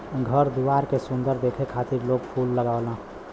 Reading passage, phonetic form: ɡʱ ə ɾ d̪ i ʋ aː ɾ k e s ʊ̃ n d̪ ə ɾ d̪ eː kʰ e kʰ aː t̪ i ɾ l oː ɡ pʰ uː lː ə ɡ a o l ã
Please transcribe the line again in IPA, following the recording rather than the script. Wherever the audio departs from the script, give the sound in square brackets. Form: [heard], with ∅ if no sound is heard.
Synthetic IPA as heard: ɡʱ ə ɾ d̪ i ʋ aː ɾ k e s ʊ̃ n d̪ ə ɾ d̪ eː kʰ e kʰ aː t̪ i ɾ l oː ɡ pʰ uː lː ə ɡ a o l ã